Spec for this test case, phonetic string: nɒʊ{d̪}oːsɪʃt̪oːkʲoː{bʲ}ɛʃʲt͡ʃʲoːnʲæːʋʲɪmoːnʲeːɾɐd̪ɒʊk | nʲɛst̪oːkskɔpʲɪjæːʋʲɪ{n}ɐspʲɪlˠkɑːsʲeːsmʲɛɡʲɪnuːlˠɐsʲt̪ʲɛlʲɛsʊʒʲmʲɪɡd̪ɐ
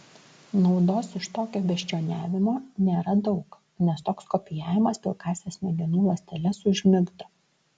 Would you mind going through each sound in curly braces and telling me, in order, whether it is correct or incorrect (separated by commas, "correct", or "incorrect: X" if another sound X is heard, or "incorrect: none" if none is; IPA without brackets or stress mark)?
correct, correct, incorrect: m